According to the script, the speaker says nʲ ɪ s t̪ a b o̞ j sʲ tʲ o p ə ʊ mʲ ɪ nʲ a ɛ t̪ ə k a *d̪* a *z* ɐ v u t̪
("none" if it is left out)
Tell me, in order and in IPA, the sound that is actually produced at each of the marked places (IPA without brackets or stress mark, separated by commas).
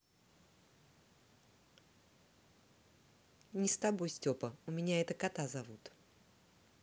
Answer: t̪, z